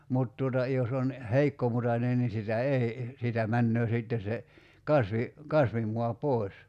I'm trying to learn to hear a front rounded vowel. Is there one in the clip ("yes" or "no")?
yes